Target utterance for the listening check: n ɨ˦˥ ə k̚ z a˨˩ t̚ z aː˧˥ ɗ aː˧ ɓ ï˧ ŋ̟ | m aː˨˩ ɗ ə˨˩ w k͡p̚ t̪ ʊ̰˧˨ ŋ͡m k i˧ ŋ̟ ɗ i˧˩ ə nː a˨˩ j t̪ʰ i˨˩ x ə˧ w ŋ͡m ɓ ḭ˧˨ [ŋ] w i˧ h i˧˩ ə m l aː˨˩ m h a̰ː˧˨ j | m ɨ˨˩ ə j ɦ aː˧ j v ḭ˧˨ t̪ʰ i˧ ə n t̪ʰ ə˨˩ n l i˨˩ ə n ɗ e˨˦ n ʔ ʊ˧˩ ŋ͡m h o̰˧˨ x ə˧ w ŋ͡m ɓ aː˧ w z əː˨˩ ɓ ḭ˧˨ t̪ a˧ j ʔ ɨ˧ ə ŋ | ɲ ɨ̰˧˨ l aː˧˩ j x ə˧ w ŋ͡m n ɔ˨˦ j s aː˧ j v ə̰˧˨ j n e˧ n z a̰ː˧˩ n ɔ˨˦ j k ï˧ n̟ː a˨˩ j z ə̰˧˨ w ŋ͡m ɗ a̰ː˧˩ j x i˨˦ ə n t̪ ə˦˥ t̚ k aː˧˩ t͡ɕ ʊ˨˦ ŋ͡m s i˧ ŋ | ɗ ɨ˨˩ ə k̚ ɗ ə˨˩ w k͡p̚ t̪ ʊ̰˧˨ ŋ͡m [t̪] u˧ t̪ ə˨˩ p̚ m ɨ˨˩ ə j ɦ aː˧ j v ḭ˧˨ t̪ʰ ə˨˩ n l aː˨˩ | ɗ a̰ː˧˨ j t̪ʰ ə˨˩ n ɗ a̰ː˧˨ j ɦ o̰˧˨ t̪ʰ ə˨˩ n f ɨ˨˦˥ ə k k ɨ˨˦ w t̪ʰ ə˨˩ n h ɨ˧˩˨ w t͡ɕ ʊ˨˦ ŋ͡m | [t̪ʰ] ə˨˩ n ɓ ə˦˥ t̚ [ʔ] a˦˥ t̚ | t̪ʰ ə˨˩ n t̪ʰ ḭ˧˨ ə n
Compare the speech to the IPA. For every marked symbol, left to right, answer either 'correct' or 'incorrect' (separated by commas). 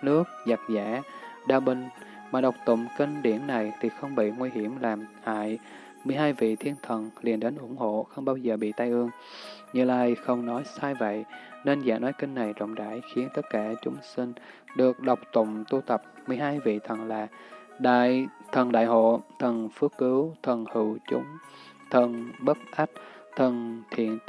correct, correct, correct, correct